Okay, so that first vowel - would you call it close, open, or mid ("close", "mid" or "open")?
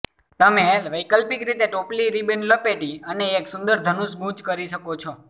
mid